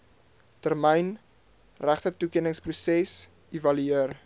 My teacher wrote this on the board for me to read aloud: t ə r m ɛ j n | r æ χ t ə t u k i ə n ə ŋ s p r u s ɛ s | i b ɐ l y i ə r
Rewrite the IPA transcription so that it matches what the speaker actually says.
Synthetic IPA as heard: t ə r m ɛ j n | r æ χ t ə t u k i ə n ə ŋ s p r u s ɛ s | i v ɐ l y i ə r